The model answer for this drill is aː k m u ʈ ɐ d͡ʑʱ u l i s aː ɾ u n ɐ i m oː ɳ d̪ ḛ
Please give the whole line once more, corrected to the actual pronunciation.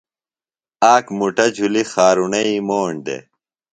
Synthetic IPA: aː k m u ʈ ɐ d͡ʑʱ u l i x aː ɾ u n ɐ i m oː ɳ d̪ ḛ